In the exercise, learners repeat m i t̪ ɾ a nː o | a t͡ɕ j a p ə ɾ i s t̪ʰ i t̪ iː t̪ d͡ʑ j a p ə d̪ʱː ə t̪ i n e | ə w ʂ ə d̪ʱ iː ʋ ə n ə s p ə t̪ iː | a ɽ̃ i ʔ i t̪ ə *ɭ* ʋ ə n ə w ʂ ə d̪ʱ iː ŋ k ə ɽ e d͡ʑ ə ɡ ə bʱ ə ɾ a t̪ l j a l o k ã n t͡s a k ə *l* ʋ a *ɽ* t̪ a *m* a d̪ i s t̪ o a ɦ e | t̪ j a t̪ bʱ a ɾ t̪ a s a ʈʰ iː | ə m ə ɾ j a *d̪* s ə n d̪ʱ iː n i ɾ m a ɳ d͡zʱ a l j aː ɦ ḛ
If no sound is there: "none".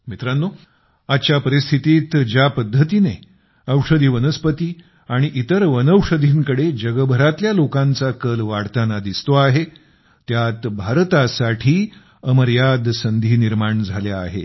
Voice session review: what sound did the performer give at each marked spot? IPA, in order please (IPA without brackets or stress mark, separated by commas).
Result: ɾ, l, ɽ, n, d̪